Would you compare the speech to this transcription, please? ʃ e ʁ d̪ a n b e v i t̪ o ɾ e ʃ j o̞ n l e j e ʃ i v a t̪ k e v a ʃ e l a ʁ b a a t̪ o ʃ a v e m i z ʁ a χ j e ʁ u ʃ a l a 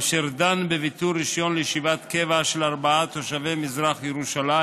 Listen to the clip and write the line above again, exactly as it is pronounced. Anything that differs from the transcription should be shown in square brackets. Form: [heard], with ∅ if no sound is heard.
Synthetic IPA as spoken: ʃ e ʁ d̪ a n b e v i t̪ [u] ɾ [i] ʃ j o̞ n l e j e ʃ i v a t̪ k e v a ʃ e l a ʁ b a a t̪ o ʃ a v e m i z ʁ a χ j e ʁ u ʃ a l a